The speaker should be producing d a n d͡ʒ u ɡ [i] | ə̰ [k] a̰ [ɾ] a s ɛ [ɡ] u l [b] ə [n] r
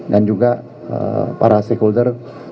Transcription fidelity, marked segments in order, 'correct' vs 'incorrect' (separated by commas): incorrect, incorrect, correct, incorrect, incorrect, incorrect